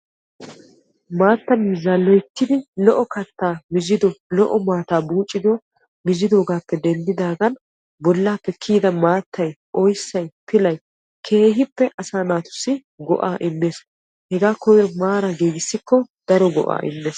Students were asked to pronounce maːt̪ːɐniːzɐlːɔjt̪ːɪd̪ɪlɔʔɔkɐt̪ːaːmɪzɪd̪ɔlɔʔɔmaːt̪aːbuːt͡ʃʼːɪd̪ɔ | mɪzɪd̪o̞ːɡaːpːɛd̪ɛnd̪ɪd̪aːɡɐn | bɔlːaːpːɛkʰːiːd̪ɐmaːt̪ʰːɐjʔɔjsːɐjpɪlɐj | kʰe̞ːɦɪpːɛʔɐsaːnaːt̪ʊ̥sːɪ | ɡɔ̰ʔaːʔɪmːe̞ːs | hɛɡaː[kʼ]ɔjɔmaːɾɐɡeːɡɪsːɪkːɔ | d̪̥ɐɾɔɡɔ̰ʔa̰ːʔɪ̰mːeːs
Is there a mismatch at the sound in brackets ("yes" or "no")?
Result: yes